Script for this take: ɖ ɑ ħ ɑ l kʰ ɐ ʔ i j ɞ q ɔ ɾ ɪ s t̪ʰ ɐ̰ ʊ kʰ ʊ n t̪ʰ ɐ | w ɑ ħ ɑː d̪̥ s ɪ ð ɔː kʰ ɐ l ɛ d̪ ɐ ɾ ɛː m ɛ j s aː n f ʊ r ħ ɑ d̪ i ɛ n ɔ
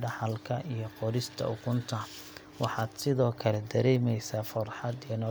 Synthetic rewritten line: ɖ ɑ ħ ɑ l kʰ ɐ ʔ i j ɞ q ɔ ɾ ɪ s t̪ʰ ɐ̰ ʊ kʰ ʊ n t̪ʰ ɐ | w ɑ ħ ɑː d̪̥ s ɪ ð ɔː kʰ ɐ l ɛ d̪ ɐ ɾ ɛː m ɛ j s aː f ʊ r ħ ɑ d̪ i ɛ n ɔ